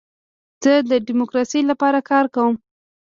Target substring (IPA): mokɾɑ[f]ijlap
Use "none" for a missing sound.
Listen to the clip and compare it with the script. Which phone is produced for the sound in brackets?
s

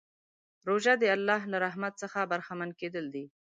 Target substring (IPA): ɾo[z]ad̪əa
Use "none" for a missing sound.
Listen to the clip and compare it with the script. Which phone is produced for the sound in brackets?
ʒ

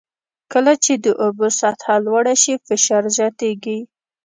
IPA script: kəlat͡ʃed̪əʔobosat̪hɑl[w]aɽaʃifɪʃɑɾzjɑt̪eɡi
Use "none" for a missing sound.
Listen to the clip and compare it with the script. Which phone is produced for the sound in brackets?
w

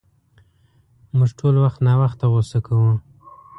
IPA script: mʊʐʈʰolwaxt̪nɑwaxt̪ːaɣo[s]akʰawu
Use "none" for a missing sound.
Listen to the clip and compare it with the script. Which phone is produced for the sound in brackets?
s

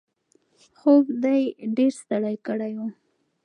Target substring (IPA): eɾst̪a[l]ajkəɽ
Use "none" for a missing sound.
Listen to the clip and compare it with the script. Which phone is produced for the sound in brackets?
ɽ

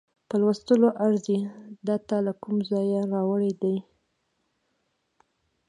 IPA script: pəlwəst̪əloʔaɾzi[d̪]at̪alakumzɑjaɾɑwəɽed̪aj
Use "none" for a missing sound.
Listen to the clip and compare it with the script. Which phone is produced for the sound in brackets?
d̪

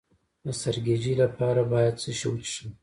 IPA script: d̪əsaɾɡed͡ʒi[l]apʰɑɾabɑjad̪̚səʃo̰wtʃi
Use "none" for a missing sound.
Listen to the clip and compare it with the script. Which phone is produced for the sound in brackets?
l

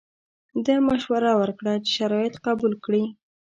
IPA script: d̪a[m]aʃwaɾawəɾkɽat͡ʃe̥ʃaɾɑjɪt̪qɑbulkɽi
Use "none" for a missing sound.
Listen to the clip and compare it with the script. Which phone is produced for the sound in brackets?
m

